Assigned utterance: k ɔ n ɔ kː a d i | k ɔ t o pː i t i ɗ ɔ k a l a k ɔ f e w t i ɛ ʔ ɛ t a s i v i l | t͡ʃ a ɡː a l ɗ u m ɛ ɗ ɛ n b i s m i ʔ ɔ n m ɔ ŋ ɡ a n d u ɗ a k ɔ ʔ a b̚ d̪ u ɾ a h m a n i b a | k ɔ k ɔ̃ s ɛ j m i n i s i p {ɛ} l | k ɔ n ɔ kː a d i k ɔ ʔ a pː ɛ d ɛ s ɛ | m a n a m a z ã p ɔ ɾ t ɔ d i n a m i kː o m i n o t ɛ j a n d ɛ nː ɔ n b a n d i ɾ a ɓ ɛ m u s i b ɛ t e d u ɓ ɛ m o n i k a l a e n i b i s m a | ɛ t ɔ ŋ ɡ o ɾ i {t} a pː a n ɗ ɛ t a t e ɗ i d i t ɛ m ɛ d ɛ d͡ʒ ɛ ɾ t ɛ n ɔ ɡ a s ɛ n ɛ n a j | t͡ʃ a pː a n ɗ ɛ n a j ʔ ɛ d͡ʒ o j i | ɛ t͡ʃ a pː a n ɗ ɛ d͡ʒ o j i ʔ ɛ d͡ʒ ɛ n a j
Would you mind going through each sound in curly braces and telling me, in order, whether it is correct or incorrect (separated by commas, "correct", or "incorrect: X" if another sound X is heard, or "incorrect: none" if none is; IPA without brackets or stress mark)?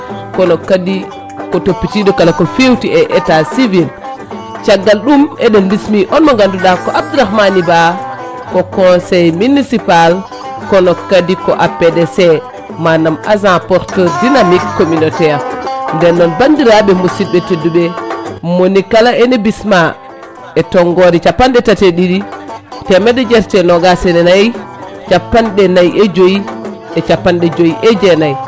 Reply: incorrect: a, incorrect: t͡ʃ